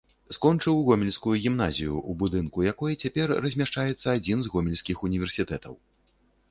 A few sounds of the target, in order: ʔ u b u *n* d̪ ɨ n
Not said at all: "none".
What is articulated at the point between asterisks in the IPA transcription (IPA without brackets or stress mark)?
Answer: none